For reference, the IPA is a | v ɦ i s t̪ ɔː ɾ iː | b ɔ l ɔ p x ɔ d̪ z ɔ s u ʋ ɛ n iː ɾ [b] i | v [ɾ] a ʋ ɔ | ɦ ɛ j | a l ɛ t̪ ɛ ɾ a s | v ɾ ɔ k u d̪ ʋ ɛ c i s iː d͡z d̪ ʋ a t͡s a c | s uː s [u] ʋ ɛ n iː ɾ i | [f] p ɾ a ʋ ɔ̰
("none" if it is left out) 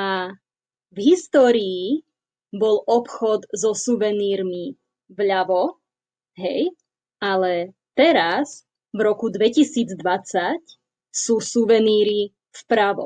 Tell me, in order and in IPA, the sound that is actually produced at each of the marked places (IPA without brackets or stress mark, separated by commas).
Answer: m, ʎ, u, f